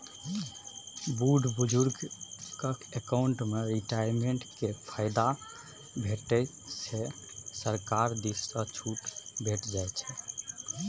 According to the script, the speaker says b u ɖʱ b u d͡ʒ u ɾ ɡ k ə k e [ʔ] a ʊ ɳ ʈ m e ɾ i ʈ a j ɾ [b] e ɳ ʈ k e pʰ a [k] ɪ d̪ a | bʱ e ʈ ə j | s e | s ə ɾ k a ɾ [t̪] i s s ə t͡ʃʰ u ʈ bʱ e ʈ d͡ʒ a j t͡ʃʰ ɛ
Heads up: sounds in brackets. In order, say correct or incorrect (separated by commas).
incorrect, incorrect, incorrect, incorrect